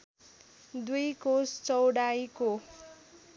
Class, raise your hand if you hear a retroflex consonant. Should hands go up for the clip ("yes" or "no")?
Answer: yes